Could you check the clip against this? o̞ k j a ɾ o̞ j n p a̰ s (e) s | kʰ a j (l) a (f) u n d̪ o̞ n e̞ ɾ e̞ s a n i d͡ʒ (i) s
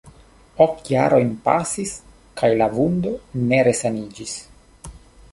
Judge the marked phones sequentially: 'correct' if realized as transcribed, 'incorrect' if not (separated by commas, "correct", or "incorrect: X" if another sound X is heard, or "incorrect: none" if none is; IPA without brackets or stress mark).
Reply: incorrect: i, correct, incorrect: v, correct